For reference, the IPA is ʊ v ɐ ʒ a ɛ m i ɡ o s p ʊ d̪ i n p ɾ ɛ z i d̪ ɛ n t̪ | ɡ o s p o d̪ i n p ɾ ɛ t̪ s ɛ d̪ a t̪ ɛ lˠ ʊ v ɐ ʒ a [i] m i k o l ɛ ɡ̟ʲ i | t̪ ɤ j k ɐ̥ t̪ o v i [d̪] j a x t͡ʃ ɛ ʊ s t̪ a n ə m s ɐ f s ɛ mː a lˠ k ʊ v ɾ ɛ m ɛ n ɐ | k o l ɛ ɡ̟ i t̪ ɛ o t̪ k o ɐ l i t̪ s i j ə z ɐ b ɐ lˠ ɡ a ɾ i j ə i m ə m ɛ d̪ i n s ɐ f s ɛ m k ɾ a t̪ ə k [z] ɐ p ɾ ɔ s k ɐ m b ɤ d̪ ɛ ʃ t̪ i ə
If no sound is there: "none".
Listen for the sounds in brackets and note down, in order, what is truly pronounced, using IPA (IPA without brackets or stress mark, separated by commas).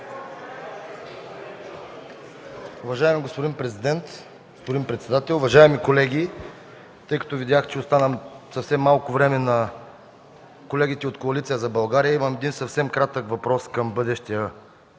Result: ɛ, d̪, v